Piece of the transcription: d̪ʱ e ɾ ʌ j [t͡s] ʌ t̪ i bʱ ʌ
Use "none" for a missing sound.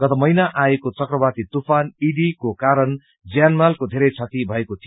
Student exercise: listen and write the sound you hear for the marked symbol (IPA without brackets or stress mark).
t͡sʰ